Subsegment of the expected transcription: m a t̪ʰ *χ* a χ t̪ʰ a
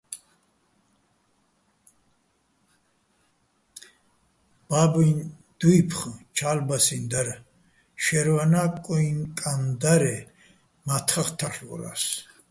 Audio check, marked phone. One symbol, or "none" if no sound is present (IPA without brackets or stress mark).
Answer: χ